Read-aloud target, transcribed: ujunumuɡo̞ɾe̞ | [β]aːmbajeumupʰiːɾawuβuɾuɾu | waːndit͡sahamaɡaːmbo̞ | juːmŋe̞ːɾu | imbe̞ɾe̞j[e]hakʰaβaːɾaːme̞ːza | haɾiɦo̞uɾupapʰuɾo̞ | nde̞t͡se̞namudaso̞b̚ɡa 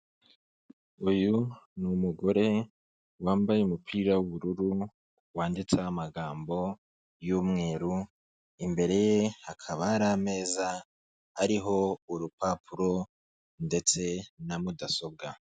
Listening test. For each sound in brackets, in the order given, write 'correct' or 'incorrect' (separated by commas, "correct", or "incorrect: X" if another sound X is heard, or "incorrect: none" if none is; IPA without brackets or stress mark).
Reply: incorrect: w, correct